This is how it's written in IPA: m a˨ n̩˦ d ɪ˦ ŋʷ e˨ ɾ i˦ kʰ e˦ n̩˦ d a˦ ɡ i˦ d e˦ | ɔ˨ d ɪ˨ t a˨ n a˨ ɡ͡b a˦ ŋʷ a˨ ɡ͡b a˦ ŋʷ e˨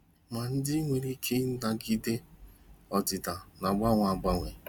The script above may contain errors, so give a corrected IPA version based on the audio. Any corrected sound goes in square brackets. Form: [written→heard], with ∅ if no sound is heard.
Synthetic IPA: m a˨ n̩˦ d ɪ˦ ŋʷ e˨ ɾ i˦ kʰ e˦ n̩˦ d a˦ ɡ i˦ d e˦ | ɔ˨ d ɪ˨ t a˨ n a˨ ɡ͡b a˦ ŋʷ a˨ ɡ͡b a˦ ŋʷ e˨